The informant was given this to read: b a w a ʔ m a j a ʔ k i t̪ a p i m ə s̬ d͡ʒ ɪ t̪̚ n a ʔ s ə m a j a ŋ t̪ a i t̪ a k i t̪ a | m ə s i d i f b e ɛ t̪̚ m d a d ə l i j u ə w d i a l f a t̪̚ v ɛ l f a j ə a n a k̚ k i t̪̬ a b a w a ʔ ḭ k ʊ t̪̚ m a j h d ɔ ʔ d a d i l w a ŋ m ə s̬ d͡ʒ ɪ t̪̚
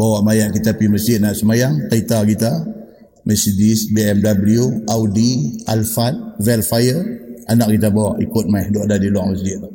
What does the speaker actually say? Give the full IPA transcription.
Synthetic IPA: b a w a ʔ m a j a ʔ k i t̪ a p i m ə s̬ d͡ʒ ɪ t̪̚ n a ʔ s ə m a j a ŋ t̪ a i t̪ a k i t̪ a | m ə s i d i s b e ɛ m d a b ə l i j u a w d i a l f a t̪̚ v ɛ l f a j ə a n a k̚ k i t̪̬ a b a w a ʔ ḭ k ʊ t̪̚ m a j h d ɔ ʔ d a d i l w a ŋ m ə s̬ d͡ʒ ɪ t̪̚